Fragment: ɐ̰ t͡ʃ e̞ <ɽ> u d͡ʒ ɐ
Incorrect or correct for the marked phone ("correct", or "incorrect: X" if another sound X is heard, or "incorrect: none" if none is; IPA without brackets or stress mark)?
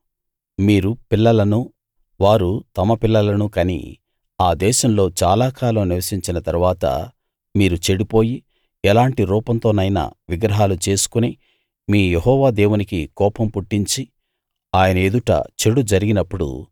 correct